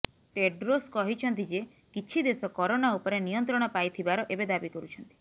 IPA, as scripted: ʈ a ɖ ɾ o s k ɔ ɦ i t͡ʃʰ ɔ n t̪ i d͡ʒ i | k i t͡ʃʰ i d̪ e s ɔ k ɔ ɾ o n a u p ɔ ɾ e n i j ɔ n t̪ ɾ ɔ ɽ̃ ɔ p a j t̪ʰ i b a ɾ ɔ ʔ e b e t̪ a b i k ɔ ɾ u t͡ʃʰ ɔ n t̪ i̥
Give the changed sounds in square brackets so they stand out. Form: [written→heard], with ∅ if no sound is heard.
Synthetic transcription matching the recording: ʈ [a→e] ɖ ɾ o s k ɔ ɦ i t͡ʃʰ ɔ n t̪ i d͡ʒ [i→e] | k i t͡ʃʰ i d̪ e s ɔ k ɔ ɾ o n a u p ɔ ɾ e n i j ɔ n t̪ ɾ ɔ ɽ̃ ɔ p a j t̪ʰ i b a ɾ ɔ ʔ e b e [t̪→d̪] a b i k ɔ ɾ u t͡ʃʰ ɔ n t̪ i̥